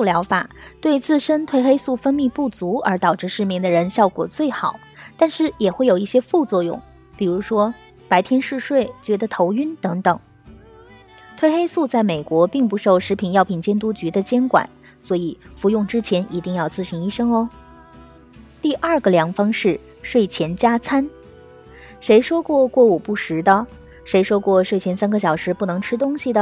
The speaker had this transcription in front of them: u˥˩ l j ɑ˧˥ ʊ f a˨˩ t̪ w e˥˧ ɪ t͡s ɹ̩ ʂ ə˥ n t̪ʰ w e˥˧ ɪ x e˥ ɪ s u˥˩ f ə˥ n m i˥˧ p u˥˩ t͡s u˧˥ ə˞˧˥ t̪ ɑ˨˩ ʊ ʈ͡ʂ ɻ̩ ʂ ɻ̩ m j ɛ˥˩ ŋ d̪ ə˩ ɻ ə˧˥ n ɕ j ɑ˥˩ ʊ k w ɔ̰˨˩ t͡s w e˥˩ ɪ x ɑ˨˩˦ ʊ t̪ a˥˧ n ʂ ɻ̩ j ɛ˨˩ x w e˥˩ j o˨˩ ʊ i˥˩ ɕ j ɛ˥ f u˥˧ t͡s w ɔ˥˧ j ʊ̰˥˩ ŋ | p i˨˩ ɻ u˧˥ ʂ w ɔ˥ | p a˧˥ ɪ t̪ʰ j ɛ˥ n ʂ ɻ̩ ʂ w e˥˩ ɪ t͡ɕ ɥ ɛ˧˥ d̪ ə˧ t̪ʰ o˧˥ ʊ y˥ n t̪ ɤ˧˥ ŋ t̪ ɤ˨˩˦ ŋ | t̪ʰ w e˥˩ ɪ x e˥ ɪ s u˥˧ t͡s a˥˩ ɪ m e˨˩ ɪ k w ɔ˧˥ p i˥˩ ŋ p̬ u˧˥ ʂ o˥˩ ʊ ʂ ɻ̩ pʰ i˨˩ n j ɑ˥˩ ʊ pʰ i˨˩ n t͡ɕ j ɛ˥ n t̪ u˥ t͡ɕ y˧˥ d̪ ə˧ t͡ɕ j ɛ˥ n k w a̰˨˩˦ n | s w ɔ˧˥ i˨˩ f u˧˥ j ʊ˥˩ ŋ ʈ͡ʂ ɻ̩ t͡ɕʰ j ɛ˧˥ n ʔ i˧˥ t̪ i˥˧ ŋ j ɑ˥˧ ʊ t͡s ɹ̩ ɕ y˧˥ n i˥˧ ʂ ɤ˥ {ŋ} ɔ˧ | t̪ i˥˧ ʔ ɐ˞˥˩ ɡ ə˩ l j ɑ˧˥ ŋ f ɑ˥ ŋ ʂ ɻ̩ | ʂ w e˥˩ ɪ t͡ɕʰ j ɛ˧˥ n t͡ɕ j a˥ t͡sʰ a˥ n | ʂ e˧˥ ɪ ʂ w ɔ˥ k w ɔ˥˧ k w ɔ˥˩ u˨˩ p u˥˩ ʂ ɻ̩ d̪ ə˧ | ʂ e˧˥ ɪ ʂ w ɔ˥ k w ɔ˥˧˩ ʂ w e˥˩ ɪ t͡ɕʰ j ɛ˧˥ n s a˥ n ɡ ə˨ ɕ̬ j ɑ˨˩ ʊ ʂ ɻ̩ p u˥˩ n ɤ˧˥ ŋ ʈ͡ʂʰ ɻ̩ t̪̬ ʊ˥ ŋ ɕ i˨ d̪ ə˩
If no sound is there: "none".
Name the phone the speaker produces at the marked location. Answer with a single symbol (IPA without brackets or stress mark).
ŋ